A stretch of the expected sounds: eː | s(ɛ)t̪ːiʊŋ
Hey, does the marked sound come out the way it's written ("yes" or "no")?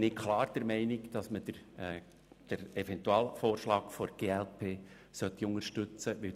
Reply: no